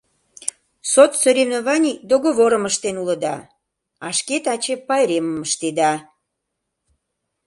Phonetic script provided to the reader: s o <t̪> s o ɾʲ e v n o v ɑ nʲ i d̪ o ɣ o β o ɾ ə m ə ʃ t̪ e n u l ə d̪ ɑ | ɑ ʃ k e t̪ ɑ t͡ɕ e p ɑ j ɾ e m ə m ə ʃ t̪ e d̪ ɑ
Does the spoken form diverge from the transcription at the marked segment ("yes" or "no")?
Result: no